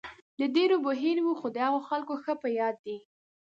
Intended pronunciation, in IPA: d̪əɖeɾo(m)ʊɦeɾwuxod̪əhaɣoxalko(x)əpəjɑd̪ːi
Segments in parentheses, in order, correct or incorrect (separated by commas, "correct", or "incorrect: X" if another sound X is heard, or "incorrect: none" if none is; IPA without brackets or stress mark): incorrect: b, correct